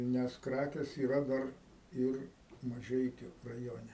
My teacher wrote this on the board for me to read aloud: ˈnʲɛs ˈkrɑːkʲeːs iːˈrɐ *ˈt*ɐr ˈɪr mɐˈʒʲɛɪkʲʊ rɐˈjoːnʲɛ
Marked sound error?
yes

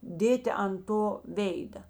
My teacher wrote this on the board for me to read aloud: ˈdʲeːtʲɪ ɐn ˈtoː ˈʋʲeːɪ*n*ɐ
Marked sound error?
yes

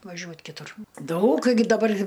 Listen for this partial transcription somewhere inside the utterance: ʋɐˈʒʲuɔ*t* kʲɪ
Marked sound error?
no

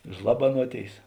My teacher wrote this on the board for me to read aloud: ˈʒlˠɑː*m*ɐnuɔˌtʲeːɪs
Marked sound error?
yes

